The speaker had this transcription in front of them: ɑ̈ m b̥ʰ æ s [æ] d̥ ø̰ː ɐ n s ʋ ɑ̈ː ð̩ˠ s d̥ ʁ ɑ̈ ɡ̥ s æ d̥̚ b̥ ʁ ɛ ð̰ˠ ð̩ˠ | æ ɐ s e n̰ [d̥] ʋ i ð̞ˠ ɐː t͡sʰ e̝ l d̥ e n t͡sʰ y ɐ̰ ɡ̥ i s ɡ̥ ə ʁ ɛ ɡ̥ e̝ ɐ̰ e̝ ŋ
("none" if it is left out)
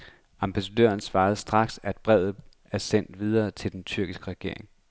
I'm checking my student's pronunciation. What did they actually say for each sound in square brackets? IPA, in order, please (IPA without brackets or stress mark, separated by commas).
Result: æ, d̥